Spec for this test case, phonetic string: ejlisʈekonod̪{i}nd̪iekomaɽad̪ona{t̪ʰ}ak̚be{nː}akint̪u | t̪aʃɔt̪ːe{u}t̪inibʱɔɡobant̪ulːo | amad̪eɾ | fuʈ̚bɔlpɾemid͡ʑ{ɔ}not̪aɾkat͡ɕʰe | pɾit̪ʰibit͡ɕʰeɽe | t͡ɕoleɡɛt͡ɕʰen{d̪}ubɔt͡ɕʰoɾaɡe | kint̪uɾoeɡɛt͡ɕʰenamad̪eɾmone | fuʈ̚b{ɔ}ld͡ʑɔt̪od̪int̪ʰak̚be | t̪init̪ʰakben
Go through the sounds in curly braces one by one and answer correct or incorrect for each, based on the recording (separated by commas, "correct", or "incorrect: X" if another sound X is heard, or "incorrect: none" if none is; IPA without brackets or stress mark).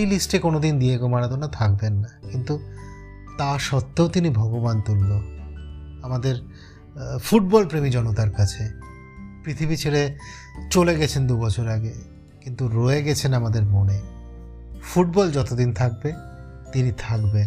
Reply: correct, correct, correct, incorrect: o, correct, correct, correct